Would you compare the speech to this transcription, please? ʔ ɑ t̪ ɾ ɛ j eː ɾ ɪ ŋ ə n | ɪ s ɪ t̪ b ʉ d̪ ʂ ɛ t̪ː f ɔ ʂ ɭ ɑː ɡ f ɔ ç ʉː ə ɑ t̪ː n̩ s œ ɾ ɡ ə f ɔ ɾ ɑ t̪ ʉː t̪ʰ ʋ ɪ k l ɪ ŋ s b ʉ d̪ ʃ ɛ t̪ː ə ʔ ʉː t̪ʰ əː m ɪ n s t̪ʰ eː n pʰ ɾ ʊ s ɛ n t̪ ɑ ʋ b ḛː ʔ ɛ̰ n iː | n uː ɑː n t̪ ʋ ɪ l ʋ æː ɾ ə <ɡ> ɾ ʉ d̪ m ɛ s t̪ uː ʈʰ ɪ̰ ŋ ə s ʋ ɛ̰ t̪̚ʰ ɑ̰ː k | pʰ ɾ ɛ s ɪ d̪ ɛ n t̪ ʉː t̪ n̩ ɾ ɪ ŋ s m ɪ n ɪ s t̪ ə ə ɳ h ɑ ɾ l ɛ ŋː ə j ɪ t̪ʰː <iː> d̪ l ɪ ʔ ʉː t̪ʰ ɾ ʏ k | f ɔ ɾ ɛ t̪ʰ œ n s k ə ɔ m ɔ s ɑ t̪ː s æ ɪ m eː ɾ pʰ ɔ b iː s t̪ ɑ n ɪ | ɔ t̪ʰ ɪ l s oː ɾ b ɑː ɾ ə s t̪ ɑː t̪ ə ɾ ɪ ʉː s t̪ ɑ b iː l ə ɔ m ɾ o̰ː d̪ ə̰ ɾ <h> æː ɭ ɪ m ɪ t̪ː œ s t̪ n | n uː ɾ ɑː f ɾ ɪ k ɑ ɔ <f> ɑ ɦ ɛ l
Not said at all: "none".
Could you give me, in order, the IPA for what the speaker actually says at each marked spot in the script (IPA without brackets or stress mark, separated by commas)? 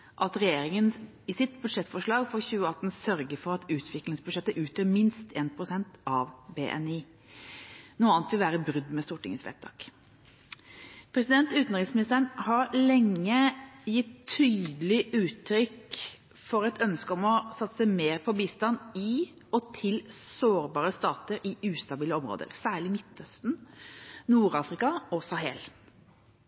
b, yː, s, s